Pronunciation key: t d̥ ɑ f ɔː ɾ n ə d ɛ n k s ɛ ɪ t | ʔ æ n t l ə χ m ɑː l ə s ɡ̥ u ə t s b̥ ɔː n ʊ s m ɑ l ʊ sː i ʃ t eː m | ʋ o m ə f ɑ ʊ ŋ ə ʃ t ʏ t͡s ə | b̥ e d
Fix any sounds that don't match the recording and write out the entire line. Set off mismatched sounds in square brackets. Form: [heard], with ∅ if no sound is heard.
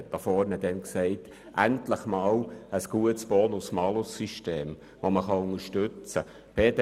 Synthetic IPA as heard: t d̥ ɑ f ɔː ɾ n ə d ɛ n k s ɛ ɪ t | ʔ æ n t l ə χ m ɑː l ə s ɡ̥ u ə t s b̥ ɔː n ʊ s m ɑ l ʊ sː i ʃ t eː m | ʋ o m ə [χ] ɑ ʊ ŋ ə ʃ t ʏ t͡s ə | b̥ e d

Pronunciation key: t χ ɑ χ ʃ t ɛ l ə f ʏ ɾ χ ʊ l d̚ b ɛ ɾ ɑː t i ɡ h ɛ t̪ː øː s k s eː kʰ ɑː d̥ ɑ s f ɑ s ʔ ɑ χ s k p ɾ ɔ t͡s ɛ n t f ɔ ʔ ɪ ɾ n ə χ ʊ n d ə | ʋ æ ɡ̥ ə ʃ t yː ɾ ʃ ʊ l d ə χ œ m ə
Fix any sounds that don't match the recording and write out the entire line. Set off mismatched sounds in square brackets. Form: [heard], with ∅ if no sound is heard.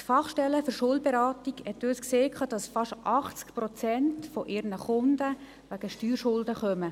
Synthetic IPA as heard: t [f] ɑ χ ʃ t ɛ l ə f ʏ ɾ [ʃ] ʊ l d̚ b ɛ ɾ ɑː t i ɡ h ɛ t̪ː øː s k s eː kʰ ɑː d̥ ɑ s f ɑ [ʃ] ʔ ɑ χ [t͡s] k p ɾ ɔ t͡s ɛ n t f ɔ ʔ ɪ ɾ n ə χ ʊ n d ə | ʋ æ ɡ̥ ə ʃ t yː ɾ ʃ ʊ l d ə χ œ m ə

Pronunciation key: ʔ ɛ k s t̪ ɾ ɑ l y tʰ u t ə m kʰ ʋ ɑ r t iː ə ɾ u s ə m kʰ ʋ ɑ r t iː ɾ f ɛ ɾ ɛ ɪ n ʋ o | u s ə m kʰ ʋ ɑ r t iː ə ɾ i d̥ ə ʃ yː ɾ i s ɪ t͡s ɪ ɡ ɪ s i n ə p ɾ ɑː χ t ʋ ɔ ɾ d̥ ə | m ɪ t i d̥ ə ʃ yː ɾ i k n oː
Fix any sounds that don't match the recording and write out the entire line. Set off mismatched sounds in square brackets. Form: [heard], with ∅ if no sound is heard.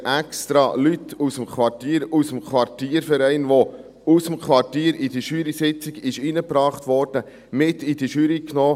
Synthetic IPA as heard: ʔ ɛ k s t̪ ɾ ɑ l y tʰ u [s] ə m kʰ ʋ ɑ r t iː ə ɾ u s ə m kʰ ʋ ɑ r t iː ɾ f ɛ ɾ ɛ ɪ n ʋ o | u s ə m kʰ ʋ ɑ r t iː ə ɾ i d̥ ə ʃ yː ɾ i s ɪ t͡s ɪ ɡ ɪ [ʃ] i n ə p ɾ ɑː χ t ʋ ɔ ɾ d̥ ə | m ɪ t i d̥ ə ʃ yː ɾ i k n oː

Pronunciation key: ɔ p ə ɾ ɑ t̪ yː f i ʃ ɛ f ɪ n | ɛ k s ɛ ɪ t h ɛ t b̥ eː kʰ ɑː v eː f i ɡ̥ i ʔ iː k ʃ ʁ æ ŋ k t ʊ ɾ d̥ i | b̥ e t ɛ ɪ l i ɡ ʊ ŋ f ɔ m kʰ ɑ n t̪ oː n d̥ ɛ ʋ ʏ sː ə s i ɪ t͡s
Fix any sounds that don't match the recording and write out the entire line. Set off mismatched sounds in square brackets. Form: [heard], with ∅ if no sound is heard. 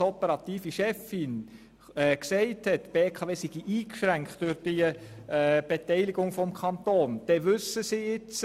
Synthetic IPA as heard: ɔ p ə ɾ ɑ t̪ [iː] f i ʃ ɛ f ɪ n | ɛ k s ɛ ɪ t h ɛ t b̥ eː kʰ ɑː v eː [s] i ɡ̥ i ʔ iː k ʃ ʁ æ ŋ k t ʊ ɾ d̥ i | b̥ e t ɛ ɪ l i ɡ ʊ ŋ f ɔ m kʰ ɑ n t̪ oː n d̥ ɛ ʋ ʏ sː ə s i ɪ t͡s

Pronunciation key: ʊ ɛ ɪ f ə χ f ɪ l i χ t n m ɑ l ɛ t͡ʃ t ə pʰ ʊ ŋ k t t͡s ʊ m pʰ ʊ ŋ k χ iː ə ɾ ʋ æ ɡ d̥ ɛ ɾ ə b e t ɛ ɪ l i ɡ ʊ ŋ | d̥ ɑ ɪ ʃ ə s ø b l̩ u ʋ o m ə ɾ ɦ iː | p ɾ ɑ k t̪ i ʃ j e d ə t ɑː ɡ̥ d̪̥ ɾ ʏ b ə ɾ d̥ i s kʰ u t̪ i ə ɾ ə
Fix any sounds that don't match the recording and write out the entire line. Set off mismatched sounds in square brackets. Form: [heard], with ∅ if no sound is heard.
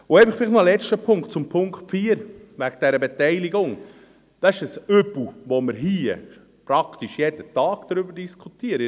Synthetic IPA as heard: ʊ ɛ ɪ f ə χ f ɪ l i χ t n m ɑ l ɛ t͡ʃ t ə pʰ ʊ ŋ k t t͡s ʊ m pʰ ʊ ŋ k [f] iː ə ɾ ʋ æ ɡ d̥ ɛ ɾ ə b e t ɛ ɪ l i ɡ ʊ ŋ | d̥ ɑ ɪ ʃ ə s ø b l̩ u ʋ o m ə ɾ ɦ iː | p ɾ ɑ k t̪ i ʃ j e d ə t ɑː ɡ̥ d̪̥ ɾ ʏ b ə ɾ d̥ i s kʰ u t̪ i ə ɾ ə

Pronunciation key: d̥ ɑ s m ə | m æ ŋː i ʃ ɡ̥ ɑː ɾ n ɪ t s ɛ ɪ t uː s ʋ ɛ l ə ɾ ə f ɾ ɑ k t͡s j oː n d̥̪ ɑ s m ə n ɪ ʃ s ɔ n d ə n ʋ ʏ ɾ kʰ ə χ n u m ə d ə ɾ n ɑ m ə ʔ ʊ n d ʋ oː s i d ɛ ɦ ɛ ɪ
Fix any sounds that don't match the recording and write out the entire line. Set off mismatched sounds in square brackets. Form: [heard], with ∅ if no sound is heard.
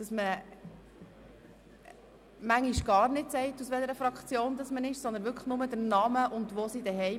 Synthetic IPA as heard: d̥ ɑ s m ə | m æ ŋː i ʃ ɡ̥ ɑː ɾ n ɪ t s ɛ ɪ t [u] s ʋ ɛ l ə ɾ ə f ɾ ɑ k t͡s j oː n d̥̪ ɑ s m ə n ɪ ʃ s ɔ n d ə n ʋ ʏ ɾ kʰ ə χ n [ʊ] m ə d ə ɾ n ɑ m ə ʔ ʊ n d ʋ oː s i d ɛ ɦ ɛ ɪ

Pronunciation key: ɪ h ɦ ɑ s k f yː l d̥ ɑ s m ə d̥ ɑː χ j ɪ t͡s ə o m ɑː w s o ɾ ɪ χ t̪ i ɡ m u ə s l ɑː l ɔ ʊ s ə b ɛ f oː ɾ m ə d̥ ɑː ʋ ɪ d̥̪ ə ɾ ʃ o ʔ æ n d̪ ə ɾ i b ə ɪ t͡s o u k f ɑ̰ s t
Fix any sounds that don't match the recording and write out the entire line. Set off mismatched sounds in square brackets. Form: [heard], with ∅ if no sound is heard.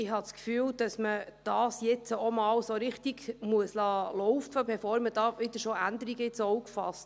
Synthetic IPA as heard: ɪ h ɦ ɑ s k f yː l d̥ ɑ s m ə d̥ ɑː [s] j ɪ t͡s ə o m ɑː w s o ɾ ɪ χ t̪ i ɡ m u ə s l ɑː l ɔ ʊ [f] ə b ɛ f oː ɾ m ə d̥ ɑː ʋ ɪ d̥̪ ə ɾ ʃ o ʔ æ n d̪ ə ɾ i [ɡ] ə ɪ t͡s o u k f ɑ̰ s t

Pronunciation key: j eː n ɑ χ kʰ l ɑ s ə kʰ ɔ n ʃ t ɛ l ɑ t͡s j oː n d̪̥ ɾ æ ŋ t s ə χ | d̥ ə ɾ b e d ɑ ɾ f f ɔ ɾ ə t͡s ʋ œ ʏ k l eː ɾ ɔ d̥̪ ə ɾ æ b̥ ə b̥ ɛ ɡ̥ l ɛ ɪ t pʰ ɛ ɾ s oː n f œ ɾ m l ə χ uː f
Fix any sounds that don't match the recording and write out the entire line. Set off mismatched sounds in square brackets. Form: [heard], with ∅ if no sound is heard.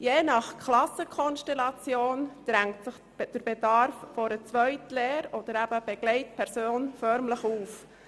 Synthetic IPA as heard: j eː n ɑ χ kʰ l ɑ s ə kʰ ɔ n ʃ t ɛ l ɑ t͡s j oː n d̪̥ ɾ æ ŋ t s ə χ | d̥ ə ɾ b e d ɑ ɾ f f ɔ ɾ ə t͡s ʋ œ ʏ [t] l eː ɾ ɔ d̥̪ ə ɾ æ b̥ ə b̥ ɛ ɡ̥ l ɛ ɪ t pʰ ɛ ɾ s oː n f œ ɾ m l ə χ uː f

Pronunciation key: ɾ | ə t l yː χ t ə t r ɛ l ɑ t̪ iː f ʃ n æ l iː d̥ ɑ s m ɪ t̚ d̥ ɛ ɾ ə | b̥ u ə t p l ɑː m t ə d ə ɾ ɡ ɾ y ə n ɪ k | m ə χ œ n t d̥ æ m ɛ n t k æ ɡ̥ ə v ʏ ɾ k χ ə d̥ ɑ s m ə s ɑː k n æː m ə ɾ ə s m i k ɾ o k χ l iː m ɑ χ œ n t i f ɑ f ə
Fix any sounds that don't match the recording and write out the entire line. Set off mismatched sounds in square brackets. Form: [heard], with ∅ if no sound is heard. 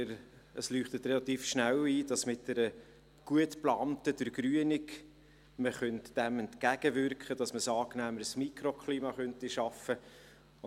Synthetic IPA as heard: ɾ | ə [s] l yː χ t ə t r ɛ l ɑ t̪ iː f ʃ n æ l iː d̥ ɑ s m ɪ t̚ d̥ ɛ ɾ ə | [ɡ̥] u ə t p l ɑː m t ə d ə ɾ ɡ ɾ y ə n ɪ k | m ə χ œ n t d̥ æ m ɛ n t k æ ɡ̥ ə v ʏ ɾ k χ ə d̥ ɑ s m ə s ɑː k n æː m ə ɾ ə s m i k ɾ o k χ l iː m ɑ χ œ n t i [ʃ] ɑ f ə

